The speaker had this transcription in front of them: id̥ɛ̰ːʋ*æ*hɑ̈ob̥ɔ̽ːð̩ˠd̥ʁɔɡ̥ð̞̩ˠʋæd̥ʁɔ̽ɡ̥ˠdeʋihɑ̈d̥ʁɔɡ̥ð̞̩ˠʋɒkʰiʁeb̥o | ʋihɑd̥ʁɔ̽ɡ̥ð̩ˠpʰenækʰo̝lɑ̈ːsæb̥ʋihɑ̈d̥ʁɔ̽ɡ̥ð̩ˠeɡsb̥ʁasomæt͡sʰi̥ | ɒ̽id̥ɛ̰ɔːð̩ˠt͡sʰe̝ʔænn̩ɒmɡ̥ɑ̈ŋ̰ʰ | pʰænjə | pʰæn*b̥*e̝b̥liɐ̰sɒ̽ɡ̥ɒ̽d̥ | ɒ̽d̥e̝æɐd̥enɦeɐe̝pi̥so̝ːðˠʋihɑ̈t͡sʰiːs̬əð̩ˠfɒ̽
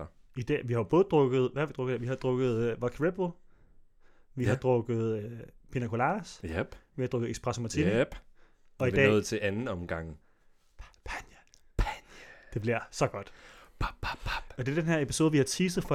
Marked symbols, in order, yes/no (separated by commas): no, no